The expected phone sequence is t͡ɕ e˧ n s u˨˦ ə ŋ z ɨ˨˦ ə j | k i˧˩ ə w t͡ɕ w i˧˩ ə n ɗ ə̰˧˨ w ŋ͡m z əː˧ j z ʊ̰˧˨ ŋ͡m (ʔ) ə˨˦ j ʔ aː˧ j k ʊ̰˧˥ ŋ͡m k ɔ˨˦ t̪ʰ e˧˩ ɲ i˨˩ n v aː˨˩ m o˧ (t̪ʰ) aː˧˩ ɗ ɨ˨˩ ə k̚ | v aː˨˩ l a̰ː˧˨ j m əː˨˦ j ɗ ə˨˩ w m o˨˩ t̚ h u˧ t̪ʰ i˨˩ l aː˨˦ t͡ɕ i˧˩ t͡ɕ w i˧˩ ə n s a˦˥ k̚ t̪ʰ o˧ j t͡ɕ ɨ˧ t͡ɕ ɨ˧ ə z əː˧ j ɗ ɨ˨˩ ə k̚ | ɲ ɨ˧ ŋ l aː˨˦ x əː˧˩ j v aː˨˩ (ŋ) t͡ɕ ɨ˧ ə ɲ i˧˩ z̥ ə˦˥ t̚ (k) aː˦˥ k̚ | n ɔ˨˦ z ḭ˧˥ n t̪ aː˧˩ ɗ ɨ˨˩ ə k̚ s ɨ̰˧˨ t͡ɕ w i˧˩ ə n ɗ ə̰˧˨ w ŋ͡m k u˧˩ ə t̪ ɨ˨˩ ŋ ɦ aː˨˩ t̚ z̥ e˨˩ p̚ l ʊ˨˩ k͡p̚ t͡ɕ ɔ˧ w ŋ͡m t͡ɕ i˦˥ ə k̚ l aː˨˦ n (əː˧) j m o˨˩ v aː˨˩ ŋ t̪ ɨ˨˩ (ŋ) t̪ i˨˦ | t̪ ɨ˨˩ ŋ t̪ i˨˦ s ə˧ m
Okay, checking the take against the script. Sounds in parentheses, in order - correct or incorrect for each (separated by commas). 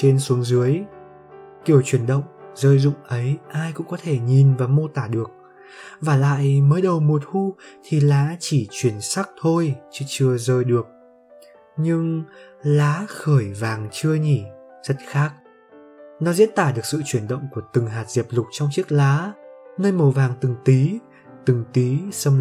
correct, incorrect, correct, incorrect, correct, correct